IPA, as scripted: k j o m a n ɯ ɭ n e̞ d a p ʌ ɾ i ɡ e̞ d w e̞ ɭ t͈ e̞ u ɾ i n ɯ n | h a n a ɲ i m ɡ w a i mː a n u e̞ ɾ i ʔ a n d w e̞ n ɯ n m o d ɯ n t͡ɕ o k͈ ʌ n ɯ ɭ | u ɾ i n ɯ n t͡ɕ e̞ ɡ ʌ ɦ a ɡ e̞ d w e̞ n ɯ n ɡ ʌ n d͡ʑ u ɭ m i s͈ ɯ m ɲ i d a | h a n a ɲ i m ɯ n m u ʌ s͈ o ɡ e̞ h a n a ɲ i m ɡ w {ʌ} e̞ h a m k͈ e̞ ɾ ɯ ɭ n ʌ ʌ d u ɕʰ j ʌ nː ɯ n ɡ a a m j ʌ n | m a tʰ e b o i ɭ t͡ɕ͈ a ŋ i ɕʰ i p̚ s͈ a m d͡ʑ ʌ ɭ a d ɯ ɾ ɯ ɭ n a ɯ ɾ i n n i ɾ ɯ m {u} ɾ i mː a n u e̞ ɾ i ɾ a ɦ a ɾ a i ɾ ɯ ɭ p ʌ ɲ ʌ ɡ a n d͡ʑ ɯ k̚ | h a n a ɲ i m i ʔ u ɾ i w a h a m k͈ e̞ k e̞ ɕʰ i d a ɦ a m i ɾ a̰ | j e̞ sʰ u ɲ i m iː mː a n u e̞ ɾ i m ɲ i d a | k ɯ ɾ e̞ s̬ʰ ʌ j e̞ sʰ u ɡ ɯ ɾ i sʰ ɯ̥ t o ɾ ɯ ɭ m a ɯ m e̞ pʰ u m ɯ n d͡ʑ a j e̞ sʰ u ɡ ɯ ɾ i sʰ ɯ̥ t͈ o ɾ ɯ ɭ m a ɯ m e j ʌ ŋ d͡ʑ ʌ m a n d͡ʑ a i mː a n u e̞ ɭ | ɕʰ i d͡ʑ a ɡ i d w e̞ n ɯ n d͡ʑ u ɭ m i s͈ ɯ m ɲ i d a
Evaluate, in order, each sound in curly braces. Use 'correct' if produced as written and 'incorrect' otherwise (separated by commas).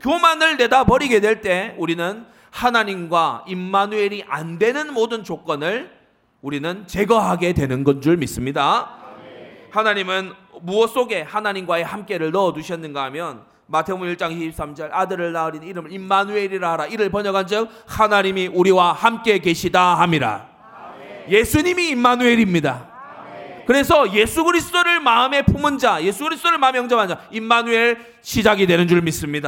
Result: incorrect, incorrect